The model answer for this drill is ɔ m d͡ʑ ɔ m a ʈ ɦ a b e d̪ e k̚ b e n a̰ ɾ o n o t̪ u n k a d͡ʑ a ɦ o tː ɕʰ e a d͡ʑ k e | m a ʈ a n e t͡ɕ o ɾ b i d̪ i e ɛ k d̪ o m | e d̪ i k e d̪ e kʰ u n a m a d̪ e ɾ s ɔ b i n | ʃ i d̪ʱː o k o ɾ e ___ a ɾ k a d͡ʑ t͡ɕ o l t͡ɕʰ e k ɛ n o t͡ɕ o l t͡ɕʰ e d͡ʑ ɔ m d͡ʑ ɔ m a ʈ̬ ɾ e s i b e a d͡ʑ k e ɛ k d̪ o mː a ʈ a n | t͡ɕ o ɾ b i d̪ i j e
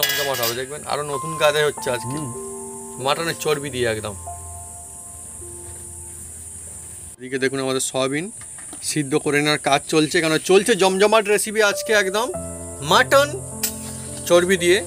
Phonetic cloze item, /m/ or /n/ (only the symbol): n